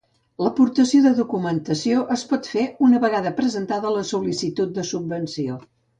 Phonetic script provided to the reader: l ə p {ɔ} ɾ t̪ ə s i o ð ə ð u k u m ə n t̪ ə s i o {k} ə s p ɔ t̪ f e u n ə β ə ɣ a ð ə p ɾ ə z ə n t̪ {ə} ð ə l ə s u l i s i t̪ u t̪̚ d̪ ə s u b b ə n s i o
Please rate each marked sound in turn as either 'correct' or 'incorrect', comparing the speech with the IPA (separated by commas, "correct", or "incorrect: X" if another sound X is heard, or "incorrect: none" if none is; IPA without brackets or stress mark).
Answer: incorrect: u, incorrect: ʔ, incorrect: a